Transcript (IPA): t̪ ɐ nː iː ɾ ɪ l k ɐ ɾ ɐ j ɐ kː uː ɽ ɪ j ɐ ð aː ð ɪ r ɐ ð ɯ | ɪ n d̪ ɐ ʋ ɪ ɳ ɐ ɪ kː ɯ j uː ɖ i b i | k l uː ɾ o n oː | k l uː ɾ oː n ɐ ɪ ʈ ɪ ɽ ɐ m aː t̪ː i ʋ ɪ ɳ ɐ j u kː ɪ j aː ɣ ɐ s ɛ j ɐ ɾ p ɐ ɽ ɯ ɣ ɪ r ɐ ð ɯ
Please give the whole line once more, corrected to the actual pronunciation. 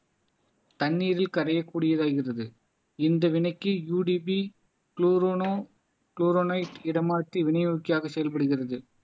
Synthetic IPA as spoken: t̪ ɐ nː iː ɾ ɪ l k ɐ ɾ ɐ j ɐ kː uː ɽ ɪ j ɐ ð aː ɣ ɪ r ɐ ð ɯ | ɪ n d̪ ɐ ʋ ɪ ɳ ɐ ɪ kː ɯ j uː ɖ i b i | k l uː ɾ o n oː | k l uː ɾ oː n ɐ ɪ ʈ ɪ ɽ ɐ m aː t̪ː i ʋ ɪ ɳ ɐ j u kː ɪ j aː ɣ ɐ s ɛ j ɐ l p ɐ ɽ ɯ ɣ ɪ r ɐ ð ɯ